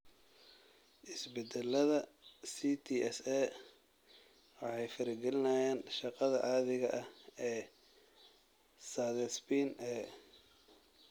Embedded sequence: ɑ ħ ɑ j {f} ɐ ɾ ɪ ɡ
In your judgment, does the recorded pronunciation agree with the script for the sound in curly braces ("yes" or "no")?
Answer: yes